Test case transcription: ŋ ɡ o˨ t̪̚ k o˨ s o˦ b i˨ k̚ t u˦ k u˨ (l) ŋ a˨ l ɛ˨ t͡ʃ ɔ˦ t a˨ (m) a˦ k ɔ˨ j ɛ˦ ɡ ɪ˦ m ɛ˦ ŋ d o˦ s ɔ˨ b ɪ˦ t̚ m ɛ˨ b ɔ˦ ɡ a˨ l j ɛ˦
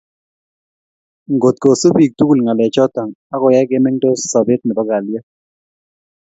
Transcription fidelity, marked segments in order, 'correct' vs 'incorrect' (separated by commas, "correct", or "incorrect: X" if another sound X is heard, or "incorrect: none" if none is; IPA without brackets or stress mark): correct, incorrect: ŋ